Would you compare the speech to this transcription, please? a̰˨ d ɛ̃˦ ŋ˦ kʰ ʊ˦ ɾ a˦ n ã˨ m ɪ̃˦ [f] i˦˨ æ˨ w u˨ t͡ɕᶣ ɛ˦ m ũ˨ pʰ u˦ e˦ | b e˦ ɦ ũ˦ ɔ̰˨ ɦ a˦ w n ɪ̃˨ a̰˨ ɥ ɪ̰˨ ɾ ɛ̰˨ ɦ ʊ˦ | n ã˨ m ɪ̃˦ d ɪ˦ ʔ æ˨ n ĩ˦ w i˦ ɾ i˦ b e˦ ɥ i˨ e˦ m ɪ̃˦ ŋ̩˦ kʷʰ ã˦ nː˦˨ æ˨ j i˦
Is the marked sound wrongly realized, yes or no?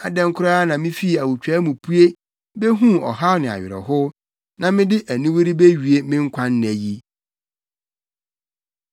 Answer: no